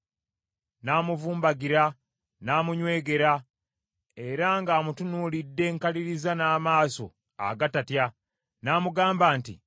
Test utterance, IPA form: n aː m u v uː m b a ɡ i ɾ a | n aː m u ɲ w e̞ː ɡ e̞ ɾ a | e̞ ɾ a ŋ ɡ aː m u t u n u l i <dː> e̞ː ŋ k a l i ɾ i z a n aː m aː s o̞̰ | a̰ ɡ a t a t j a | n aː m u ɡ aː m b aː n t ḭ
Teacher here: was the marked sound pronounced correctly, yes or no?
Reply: yes